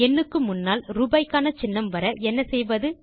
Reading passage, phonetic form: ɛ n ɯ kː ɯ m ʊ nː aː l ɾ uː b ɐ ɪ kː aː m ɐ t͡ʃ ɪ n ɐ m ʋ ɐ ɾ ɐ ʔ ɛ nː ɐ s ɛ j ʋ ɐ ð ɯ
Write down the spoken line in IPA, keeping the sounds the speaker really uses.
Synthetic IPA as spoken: ɛ nː ɯ kː ɯ m ʊ nː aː l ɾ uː b ɐ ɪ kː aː n ɐ t͡ʃ ɪ nː ɐ m ʋ ɐ ɾ ɐ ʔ ɛ nː ɐ s ɛ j ʋ ɐ ð ɯ